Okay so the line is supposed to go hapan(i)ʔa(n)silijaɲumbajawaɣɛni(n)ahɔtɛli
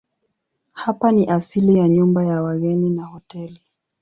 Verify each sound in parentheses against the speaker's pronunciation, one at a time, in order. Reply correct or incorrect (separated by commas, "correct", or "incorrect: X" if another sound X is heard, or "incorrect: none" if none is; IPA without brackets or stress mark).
correct, incorrect: none, correct